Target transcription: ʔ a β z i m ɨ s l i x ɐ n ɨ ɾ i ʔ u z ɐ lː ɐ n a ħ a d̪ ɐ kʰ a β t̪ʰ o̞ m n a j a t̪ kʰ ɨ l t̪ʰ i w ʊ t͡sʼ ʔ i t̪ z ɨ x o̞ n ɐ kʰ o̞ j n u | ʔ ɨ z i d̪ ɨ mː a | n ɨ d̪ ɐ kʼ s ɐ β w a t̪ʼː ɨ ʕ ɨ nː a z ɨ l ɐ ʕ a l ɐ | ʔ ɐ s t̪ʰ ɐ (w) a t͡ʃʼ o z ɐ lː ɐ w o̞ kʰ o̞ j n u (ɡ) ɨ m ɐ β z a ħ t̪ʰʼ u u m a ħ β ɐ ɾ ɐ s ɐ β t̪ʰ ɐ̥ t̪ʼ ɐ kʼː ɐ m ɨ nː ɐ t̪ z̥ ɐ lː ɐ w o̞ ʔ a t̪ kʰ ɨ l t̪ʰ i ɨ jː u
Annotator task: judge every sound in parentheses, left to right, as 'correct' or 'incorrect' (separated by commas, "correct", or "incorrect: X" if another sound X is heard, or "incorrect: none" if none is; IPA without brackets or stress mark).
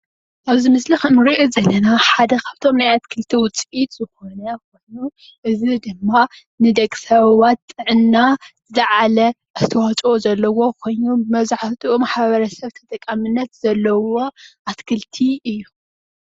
correct, incorrect: b